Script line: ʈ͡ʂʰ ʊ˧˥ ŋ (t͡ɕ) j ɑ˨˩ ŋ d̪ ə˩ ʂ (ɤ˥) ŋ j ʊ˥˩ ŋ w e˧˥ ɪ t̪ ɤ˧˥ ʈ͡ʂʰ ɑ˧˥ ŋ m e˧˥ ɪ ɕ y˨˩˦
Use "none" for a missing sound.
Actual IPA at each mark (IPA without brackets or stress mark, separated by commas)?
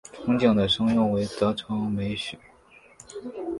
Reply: t͡ɕ, ɤ˥